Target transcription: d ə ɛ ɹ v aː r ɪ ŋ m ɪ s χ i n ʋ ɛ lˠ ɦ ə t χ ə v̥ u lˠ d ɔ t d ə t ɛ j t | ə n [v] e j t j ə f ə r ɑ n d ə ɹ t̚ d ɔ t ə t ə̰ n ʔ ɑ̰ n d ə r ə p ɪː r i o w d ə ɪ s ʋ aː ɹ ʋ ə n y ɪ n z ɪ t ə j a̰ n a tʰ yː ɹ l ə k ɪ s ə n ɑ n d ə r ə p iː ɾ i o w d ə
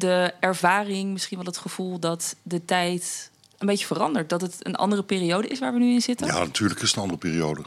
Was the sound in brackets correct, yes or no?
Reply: no